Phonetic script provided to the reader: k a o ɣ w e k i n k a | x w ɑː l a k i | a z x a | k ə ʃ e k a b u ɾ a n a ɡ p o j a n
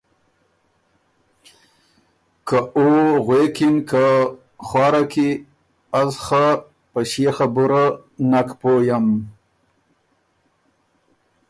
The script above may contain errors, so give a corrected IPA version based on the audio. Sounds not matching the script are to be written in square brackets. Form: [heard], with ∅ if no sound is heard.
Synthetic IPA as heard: k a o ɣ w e k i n k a | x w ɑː [ɾ] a k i | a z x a | [p] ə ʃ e [x] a b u ɾ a n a [k] p o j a [m]